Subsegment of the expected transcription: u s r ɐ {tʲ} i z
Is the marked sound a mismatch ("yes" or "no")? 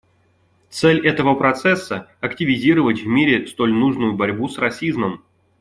yes